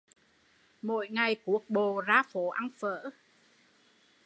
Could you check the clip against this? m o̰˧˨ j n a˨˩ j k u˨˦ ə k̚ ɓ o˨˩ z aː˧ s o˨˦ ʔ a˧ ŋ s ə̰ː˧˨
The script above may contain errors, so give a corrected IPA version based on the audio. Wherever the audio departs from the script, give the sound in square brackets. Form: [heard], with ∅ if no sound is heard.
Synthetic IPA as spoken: m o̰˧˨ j [ŋ] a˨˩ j k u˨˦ ə k̚ ɓ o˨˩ z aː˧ [f] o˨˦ ʔ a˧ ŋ [f] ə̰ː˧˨